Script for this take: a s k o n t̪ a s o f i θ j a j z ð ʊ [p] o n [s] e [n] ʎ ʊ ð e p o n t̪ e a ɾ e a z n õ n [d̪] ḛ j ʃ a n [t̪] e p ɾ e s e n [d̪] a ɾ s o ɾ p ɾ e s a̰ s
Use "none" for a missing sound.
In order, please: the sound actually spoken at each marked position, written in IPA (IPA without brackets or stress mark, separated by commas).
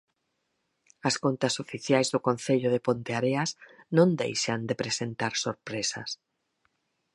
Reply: k, θ, none, d̪, d̪, t̪